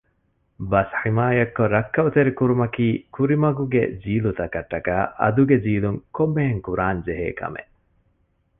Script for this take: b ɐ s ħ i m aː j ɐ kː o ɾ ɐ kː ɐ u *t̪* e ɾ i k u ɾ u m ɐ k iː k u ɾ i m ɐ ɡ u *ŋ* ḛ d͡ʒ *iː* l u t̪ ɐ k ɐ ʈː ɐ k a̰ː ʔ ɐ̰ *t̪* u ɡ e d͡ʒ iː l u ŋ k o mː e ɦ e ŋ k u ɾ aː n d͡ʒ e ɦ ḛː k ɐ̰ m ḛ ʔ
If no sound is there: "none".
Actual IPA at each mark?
t̪, ɡ, iː, d̪

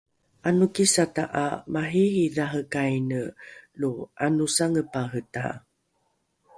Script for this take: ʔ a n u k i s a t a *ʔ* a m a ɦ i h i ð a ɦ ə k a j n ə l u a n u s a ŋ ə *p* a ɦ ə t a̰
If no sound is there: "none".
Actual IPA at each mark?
ʔ, p

